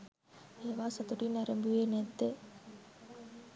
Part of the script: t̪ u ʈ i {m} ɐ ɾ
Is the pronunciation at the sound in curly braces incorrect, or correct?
incorrect